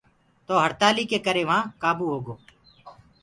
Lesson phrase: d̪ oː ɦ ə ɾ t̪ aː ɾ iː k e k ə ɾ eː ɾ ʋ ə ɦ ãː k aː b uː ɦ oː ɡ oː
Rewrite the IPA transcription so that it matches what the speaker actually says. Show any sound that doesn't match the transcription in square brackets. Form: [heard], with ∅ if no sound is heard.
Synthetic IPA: [t̪] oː ɦ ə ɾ t̪ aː [l] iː k e k ə ɾ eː [∅] ʋ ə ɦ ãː k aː b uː ɦ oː ɡ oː